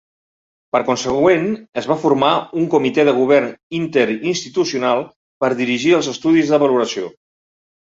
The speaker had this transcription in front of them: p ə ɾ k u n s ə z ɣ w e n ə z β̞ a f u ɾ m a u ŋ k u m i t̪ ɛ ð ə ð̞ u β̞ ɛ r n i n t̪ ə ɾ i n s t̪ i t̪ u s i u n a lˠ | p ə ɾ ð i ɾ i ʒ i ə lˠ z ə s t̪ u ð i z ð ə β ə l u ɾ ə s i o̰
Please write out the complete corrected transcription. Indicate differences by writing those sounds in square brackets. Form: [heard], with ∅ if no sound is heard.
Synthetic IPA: p ə ɾ k u n s ə [∅] ɣ w e n ə z β̞ a f u ɾ m a u ŋ k u m i t̪ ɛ ð ə [ɣ̞] u β̞ ɛ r n i n t̪ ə ɾ i n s t̪ i t̪ u s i u n a lˠ | p ə ɾ ð i ɾ i ʒ i ə lˠ z ə s t̪ u ð i z ð ə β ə l u ɾ ə s i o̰